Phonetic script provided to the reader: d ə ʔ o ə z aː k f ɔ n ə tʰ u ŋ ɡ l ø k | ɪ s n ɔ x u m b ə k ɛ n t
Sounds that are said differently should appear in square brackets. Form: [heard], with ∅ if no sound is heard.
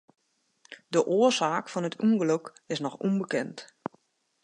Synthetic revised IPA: d ə ʔ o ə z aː k f ɔ n ə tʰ u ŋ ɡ l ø k | ɪ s n ɔ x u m b ə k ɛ n t